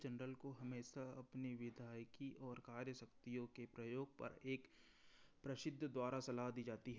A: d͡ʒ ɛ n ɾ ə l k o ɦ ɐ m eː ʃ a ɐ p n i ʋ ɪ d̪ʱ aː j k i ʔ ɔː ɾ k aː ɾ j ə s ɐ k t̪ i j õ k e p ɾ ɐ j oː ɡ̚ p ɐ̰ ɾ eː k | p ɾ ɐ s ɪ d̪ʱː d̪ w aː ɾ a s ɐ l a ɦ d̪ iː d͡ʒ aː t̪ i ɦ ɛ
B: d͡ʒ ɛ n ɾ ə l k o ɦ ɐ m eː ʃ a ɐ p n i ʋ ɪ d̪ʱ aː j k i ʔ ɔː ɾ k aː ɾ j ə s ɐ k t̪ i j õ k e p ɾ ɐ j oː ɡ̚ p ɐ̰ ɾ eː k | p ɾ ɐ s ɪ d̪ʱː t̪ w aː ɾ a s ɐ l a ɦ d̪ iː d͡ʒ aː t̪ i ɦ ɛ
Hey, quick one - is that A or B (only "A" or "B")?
A